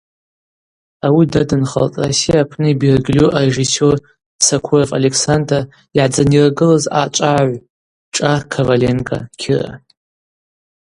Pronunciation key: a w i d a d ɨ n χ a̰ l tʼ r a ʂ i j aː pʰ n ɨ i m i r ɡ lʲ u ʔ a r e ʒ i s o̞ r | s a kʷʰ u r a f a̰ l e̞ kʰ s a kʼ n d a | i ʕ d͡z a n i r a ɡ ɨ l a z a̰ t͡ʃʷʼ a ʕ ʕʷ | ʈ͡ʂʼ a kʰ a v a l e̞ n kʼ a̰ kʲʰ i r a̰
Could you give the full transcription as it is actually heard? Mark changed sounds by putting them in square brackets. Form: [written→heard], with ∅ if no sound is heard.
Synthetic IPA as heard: a w i d a d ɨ n χ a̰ l tʼ r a [ʂ→s] i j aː pʰ n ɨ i [m→b] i r ɡ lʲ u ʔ a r e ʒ i s o̞ r | s a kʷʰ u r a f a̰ l e̞ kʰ s a [kʼ→∅] n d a | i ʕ d͡z a n i r a ɡ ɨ l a z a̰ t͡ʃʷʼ a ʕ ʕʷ | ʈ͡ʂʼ a kʰ a v a l e̞ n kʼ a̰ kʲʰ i r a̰